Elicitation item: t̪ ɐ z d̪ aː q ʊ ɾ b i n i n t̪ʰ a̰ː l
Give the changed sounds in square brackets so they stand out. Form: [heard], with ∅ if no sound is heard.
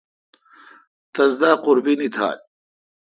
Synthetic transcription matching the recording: t̪ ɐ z d̪ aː q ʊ ɾ b i n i [∅] t̪ʰ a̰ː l